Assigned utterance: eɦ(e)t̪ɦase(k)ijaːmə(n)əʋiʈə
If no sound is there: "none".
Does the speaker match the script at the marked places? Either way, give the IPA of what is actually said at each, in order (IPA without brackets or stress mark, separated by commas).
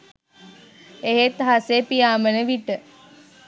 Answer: e, p, n